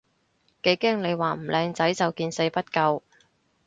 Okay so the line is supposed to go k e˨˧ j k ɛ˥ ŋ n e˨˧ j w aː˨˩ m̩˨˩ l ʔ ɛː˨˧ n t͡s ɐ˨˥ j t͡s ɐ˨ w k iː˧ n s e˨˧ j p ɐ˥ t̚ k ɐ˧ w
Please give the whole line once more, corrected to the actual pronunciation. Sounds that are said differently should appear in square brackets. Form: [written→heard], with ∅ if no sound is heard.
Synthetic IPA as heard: k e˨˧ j k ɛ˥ ŋ n e˨˧ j w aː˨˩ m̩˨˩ l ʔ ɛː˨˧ [n→ŋ] t͡s ɐ˨˥ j t͡s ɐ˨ w k iː˧ n s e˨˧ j p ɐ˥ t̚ k ɐ˧ w